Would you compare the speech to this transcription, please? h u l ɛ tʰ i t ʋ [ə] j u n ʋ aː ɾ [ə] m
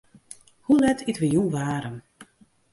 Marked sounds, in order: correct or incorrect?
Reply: correct, correct

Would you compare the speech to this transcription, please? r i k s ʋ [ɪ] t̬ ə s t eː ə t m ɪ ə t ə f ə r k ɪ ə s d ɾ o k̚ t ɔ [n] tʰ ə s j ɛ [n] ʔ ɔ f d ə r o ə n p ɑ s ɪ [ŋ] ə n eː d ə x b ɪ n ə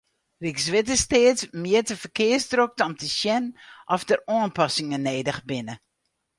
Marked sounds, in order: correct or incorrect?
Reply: correct, incorrect, correct, correct

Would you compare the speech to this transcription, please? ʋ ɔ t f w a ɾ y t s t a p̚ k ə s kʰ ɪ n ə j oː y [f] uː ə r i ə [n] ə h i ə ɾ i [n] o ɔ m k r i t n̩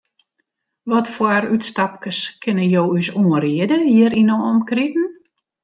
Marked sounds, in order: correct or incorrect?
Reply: incorrect, incorrect, correct

